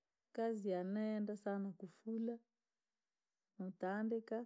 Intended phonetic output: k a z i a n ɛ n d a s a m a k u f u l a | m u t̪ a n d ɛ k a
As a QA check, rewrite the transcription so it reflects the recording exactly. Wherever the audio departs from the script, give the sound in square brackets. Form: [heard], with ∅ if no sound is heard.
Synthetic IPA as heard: k a z i a n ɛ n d a s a [n] a k u f u l a | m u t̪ a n d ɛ k a